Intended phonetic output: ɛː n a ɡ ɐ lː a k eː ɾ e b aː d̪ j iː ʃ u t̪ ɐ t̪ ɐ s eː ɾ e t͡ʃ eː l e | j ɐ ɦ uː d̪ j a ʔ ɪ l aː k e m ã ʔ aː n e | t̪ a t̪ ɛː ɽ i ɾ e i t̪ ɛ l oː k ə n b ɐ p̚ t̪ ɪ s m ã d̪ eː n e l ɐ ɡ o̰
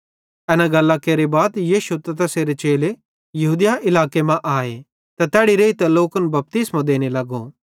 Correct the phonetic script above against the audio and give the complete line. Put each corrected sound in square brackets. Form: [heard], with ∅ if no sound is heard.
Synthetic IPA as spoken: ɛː n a ɡ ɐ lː a k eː ɾ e b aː d̪ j iː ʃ u t̪ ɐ t̪ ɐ s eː ɾ e t͡ʃ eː l e | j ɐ ɦ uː d̪ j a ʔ ɪ l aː k e m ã ʔ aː [∅] e | t̪ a t̪ ɛː ɽ i ɾ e i t̪ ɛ l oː k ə n b ɐ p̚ t̪ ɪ s m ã d̪ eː n e l ɐ ɡ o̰